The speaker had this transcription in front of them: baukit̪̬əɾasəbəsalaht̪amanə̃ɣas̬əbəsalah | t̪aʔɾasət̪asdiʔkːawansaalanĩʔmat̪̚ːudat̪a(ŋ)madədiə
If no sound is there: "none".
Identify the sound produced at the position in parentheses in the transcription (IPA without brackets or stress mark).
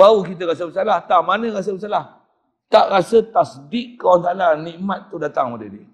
ŋ